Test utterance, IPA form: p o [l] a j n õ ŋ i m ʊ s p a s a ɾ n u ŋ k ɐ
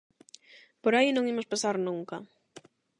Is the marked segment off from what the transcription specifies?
yes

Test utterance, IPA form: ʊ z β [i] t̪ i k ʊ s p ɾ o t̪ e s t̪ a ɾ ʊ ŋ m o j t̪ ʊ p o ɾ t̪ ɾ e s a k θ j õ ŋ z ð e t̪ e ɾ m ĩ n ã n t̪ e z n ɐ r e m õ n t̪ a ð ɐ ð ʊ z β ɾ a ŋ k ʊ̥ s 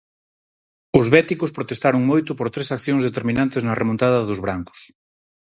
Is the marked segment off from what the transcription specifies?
yes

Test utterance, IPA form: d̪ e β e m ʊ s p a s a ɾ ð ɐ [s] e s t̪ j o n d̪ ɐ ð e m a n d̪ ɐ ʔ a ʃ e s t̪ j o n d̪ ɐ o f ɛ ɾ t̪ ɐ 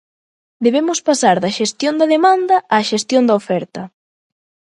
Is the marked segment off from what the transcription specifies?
yes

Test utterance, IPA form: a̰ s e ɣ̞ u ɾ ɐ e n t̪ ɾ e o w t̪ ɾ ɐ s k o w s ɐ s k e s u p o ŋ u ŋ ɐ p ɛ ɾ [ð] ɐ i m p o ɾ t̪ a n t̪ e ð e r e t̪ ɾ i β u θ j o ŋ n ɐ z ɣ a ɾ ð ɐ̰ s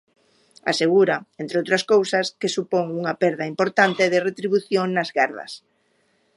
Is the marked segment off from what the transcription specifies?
no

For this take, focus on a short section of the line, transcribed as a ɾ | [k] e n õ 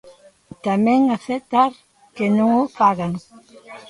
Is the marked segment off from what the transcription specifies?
no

